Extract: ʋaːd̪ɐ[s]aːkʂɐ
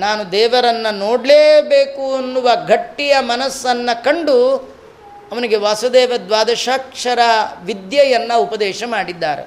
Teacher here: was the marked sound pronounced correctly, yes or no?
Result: no